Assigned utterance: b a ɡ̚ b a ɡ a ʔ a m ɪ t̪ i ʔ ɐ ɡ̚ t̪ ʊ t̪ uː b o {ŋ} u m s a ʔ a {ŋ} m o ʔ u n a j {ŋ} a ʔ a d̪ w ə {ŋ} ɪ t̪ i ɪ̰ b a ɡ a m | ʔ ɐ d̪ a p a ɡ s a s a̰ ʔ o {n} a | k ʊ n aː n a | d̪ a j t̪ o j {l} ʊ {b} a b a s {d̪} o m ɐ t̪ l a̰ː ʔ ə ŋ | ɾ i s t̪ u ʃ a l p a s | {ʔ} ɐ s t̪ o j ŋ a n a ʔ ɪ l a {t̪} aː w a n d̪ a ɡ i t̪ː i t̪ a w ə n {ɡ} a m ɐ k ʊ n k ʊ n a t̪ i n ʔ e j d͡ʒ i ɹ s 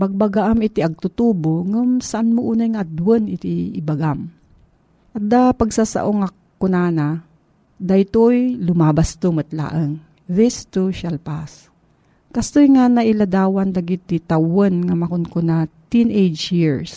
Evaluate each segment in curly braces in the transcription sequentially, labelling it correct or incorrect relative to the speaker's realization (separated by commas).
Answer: correct, incorrect, correct, incorrect, incorrect, correct, incorrect, incorrect, incorrect, incorrect, incorrect